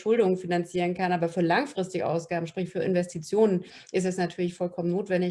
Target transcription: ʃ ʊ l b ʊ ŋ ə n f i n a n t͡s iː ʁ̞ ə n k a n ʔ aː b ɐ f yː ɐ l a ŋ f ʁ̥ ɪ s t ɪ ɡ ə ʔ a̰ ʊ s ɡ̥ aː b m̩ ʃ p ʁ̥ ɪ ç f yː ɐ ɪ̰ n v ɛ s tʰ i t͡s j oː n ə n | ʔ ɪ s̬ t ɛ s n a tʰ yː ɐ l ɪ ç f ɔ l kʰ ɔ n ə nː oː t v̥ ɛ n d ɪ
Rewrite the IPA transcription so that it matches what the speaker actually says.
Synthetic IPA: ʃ ʊ l d ʊ ŋ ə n f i n a n t͡s iː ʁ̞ ə n k a n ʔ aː b ɐ f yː ɐ l a ŋ f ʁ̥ ɪ s t ɪ ɡ ə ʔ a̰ ʊ s ɡ̥ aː b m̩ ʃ p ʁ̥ ɪ ç f yː ɐ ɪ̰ n v ɛ s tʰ i t͡s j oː n ə n | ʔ ɪ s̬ t ɛ s n a tʰ yː ɐ l ɪ ç f ɔ l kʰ ɔ m ə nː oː t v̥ ɛ n d ɪ